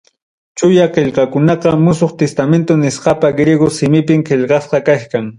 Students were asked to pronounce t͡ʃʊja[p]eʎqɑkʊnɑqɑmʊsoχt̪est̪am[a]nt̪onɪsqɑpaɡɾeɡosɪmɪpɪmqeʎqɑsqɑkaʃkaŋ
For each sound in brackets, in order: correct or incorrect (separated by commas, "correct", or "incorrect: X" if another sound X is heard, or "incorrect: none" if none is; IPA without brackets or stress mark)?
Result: incorrect: q, incorrect: e